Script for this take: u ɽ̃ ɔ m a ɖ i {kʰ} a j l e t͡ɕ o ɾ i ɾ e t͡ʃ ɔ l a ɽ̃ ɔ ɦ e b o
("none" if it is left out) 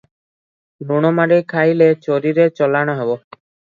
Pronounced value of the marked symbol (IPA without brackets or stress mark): kʰ